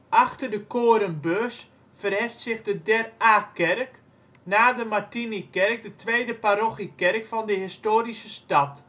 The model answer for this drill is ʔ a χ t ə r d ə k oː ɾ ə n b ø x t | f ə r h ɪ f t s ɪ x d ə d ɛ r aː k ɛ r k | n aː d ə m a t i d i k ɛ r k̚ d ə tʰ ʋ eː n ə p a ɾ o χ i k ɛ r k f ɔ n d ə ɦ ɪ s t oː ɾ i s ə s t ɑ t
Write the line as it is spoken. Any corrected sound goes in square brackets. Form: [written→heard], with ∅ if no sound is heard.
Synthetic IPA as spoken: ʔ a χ t ə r d ə k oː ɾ ə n b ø [x→s] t | f ə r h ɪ f t s ɪ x d ə d ɛ r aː k ɛ r k | n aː d ə m a t i [d→n] i k ɛ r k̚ d ə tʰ ʋ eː [n→d] ə p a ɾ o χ i k ɛ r k f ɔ n d ə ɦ ɪ s t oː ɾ i s ə s t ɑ t